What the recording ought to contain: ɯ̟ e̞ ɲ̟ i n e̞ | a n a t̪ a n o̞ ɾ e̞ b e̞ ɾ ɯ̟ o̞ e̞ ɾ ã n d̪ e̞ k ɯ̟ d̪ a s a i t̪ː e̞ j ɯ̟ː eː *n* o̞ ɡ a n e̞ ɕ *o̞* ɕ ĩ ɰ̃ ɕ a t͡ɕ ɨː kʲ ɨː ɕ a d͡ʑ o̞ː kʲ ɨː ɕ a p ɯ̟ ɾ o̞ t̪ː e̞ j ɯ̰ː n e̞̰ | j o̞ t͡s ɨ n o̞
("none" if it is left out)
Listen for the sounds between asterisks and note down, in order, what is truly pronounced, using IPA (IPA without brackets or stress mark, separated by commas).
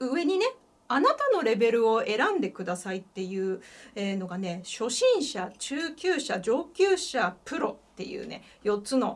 n, o̞